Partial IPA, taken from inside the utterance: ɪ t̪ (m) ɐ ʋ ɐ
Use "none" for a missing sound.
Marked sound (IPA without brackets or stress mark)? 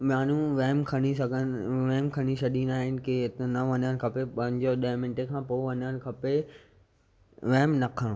n